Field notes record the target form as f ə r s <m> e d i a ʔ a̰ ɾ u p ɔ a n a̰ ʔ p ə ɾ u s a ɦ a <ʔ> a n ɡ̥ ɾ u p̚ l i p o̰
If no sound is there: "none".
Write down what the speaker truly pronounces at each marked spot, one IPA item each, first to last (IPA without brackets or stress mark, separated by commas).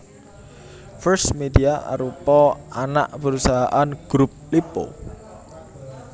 m, ʔ